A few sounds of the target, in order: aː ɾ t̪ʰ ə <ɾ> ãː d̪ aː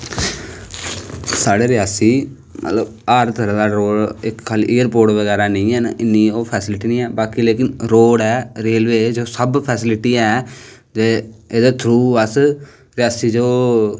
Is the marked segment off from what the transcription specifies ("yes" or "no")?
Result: no